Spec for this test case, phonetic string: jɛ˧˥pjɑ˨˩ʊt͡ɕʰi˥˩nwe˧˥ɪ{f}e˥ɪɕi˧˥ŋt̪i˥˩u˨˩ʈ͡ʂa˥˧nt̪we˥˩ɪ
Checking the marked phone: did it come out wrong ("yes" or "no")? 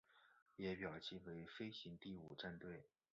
no